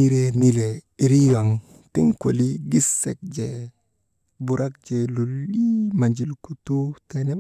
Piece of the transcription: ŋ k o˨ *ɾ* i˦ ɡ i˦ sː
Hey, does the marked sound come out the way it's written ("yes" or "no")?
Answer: no